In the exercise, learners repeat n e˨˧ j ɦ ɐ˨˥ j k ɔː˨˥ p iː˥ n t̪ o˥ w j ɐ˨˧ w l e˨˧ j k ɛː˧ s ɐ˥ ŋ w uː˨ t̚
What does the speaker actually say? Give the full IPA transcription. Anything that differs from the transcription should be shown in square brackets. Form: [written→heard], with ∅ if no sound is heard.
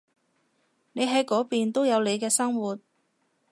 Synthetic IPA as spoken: n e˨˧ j ɦ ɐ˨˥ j k ɔː˨˥ p [iː˥→iː˨] n t̪ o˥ w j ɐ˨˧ w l e˨˧ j k ɛː˧ s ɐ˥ ŋ w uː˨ t̚